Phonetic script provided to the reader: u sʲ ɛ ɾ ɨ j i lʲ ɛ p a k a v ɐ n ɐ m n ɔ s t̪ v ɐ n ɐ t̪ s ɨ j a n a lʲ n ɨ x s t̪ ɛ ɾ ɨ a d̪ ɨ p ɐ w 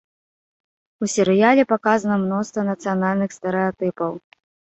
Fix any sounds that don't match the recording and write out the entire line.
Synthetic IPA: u sʲ ɛ ɾ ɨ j a lʲ ɛ p a k a z ɐ n ɐ m n ɔ s t̪ v ɐ n ɐ t̪ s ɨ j a n a lʲ n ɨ x s t̪ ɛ ɾ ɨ a t̪ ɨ p ɐ w